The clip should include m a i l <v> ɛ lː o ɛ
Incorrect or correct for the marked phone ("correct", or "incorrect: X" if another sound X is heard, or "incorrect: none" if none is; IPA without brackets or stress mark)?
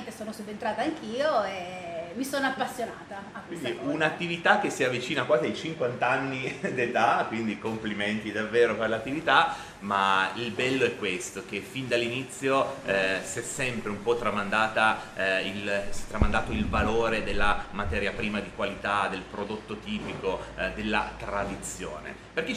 incorrect: b